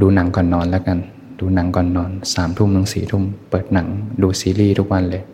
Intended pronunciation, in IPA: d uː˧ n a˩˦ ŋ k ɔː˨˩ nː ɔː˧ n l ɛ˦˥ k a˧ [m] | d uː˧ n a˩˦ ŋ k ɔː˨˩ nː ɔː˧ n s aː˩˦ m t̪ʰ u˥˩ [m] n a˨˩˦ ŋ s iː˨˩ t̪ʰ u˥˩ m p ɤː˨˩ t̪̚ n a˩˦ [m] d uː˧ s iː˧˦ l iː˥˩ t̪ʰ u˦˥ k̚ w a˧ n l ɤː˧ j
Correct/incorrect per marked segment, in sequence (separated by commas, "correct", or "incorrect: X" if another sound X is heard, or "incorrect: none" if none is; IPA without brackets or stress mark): incorrect: n, correct, incorrect: ŋ